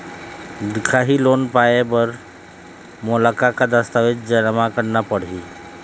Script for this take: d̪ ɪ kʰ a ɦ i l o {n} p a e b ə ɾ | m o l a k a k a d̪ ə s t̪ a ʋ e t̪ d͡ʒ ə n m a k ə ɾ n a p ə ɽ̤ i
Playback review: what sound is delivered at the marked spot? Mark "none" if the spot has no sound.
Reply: n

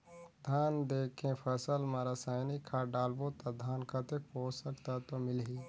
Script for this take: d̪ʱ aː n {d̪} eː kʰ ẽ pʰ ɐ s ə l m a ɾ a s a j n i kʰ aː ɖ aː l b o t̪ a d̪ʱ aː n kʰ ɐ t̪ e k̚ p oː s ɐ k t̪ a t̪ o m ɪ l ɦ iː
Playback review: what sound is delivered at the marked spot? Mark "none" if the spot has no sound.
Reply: d̪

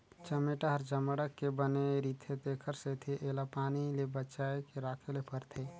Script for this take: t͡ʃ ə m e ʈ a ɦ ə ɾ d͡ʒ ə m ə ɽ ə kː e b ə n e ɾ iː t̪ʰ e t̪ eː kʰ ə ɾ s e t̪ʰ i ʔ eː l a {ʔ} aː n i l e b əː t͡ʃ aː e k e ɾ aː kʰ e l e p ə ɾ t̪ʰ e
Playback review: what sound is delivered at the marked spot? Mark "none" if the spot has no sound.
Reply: p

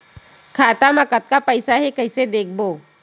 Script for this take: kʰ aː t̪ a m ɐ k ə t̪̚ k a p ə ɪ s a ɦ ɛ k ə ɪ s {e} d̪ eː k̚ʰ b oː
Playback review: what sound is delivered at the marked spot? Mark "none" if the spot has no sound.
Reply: e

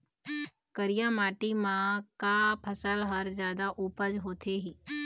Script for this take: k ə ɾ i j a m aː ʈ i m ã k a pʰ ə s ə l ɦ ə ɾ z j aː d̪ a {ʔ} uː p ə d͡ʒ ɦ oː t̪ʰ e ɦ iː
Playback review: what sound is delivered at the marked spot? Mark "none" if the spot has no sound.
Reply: ʔ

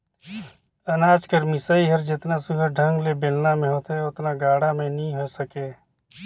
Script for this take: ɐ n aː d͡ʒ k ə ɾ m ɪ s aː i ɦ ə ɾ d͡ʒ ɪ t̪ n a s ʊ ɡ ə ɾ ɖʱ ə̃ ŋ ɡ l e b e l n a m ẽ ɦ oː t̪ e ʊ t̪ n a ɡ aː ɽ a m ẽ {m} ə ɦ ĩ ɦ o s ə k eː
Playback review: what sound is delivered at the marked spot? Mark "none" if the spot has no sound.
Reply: n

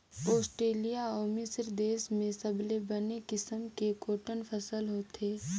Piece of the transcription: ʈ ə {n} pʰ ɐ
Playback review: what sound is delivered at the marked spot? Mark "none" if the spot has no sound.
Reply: n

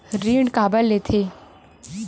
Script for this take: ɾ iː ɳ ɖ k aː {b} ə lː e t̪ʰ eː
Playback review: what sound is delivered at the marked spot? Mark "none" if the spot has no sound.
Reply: b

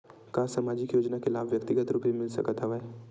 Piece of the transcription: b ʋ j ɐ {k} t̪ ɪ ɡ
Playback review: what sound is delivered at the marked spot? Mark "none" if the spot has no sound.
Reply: k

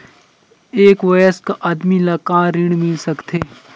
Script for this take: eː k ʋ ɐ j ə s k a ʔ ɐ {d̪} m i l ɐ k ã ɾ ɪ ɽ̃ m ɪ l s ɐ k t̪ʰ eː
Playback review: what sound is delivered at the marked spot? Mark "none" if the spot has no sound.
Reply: d̪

